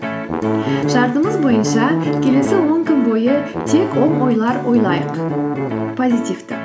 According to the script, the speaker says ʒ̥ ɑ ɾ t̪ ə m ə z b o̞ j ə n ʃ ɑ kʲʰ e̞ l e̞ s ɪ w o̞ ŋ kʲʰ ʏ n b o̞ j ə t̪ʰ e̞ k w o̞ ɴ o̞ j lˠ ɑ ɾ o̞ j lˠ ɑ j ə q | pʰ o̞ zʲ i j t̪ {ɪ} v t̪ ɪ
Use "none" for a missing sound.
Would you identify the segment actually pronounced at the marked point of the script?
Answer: i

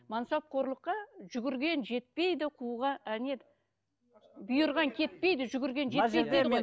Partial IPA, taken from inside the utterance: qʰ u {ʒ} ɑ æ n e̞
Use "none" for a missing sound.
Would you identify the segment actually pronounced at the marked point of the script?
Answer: ʁ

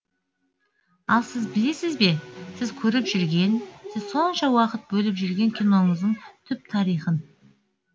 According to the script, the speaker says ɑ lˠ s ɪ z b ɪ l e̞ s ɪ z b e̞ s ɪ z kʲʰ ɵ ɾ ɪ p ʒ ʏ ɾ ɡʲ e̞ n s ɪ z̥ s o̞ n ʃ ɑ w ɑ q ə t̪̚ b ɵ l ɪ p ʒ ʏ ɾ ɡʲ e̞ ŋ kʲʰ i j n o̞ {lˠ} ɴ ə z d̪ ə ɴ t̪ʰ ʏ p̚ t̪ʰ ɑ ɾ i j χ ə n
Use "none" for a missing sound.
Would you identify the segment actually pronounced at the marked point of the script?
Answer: none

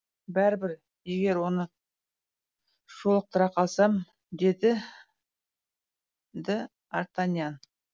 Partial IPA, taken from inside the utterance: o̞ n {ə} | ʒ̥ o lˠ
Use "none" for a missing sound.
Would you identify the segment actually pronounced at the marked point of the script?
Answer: ə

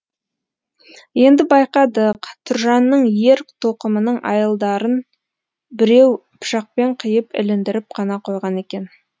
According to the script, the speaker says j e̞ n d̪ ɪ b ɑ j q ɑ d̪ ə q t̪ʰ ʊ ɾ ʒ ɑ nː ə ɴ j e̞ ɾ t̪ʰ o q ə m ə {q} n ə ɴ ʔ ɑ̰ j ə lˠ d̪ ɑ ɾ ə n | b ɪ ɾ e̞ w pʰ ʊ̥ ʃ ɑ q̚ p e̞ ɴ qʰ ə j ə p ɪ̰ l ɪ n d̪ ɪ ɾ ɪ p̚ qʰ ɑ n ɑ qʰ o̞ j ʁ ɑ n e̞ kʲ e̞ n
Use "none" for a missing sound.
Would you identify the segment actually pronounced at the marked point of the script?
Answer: none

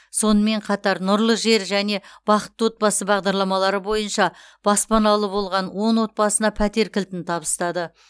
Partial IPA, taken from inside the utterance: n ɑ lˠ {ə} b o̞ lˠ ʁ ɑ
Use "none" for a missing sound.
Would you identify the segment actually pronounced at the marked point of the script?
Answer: ə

